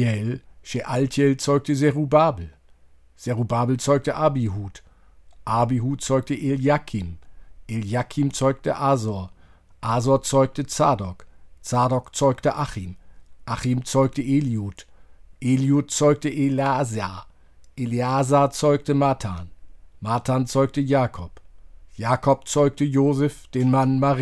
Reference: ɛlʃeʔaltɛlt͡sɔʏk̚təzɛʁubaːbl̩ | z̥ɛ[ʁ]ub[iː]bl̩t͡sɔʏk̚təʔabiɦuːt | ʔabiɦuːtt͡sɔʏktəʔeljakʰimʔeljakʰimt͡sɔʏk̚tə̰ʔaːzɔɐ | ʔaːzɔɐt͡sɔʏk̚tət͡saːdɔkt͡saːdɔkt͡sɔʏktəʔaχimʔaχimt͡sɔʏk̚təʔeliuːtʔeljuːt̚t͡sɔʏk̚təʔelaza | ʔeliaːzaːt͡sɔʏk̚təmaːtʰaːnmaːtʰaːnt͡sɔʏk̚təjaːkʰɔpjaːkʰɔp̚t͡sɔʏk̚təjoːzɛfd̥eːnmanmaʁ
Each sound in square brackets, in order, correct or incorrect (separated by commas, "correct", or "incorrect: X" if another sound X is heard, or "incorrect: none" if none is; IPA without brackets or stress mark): correct, incorrect: aː